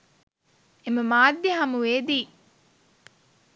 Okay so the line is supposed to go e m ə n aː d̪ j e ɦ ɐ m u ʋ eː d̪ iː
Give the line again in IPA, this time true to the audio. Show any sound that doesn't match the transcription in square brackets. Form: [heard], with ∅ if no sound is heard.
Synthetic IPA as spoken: e m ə [m] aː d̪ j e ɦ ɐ m u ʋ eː d̪ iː